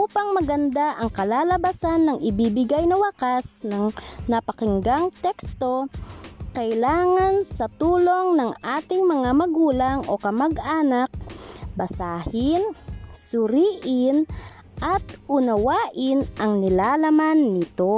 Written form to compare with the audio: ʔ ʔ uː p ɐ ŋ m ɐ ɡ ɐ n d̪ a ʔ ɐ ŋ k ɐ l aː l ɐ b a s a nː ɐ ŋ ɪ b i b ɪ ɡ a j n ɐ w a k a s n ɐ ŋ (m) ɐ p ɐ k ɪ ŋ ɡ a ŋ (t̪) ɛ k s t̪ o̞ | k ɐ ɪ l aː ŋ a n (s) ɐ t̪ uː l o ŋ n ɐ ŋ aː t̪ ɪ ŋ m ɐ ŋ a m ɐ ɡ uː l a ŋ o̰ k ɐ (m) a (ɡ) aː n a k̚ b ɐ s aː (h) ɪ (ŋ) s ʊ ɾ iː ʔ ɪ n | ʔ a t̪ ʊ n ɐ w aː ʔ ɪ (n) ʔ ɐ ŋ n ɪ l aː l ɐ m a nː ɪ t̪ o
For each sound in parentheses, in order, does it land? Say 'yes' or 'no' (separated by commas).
no, yes, yes, yes, yes, yes, no, yes